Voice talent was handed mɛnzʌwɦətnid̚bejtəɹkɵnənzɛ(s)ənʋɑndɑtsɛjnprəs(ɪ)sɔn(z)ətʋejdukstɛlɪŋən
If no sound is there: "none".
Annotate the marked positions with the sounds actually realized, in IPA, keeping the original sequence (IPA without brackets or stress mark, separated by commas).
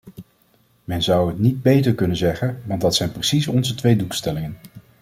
χ, i, z